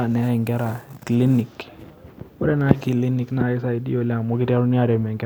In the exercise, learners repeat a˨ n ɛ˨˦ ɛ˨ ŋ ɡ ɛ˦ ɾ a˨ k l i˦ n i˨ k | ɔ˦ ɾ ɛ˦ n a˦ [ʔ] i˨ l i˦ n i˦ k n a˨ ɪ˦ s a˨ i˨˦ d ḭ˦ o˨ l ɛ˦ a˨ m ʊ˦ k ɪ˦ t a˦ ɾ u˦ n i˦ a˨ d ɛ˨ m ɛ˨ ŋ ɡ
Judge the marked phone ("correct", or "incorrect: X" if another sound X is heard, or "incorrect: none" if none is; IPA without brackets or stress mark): incorrect: k